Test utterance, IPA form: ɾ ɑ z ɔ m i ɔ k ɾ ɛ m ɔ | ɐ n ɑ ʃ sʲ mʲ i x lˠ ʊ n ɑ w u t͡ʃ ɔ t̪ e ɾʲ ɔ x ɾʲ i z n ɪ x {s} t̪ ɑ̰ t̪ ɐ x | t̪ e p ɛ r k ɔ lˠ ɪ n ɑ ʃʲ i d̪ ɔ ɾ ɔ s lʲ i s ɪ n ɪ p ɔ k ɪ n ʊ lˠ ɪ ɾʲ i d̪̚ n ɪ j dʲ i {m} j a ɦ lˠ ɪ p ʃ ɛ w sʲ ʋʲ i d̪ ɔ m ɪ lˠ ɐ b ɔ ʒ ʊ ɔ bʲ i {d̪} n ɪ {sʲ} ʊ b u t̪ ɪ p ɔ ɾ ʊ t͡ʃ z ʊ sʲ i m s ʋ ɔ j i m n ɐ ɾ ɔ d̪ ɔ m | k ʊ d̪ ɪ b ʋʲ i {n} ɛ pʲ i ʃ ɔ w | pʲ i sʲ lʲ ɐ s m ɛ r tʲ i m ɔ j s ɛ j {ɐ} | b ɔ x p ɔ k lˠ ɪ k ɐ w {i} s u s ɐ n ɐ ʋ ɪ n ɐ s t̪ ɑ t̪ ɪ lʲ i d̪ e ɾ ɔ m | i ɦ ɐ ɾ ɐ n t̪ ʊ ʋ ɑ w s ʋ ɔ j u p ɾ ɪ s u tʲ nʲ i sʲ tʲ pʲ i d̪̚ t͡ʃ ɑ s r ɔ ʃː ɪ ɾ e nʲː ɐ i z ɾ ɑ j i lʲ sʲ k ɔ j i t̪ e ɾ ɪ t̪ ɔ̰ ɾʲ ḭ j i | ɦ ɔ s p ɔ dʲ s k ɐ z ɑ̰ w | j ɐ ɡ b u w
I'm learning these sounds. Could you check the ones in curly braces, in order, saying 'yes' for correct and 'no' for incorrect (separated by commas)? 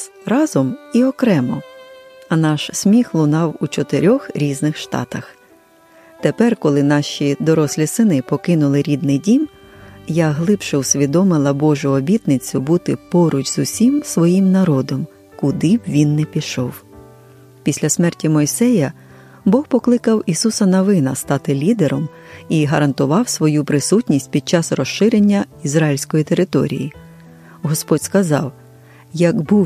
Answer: no, yes, no, no, no, yes, yes